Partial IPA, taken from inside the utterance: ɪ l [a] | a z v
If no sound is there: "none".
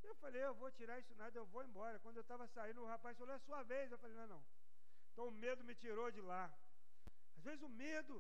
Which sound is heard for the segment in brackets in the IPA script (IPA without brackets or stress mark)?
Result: a